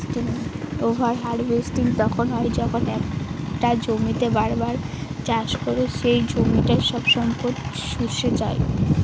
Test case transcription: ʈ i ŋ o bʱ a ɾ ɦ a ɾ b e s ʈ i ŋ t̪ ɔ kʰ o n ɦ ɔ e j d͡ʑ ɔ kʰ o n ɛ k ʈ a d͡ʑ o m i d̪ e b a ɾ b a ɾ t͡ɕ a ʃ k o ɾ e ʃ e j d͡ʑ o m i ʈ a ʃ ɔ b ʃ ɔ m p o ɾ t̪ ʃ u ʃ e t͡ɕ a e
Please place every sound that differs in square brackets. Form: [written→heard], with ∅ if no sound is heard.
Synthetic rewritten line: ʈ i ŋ o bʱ a ɾ ɦ a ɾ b e s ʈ i ŋ t̪ ɔ kʰ o n ɦ ɔ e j d͡ʑ ɔ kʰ o n ɛ k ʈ a d͡ʑ o m i [d̪→t̪] e b a ɾ b a ɾ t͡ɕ a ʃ k o ɾ e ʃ e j d͡ʑ o m i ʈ a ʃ ɔ b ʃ ɔ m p o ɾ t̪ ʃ u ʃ e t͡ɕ a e